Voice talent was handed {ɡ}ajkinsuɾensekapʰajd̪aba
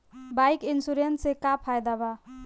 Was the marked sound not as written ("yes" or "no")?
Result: yes